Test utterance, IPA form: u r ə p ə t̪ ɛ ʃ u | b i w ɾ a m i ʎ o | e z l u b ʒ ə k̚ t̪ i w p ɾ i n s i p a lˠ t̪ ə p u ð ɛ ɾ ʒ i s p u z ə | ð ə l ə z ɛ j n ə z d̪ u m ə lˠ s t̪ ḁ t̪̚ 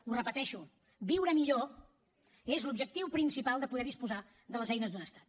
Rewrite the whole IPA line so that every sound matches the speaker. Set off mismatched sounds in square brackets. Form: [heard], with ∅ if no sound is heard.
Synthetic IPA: u r ə p ə t̪ ɛ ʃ u | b i w ɾ [ə] m i ʎ o | e z l u b ʒ ə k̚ t̪ i w p ɾ i n s i p a lˠ [d̪] ə p u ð ɛ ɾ [ð] i s p u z [a] | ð ə l ə z ɛ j n ə z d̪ u [n] ə [∅] s t̪ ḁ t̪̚